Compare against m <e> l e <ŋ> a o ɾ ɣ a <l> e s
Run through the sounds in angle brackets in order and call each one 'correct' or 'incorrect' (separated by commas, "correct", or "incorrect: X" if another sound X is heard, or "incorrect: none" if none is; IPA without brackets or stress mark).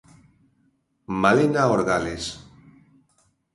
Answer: incorrect: a, incorrect: n, correct